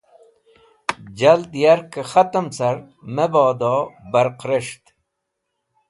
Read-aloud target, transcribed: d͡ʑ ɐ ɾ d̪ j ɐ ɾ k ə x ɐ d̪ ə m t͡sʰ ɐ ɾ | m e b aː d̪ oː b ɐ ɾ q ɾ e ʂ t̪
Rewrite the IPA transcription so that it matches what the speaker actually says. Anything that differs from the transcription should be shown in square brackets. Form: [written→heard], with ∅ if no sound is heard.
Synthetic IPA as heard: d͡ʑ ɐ [ɾ→l] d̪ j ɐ ɾ k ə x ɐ [d̪→t̪] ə m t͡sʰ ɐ ɾ | m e b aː d̪ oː b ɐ ɾ q ɾ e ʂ t̪